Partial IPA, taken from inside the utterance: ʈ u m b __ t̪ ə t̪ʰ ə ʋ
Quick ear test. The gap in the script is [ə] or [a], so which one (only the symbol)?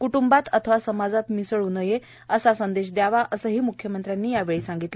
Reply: a